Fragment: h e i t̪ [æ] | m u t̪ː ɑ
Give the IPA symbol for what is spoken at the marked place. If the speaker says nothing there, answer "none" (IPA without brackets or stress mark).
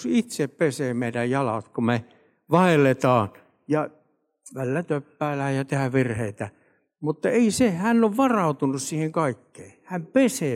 æ